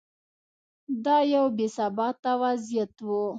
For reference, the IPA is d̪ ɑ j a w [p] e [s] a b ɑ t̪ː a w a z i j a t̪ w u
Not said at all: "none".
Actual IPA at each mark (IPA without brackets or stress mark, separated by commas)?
b, s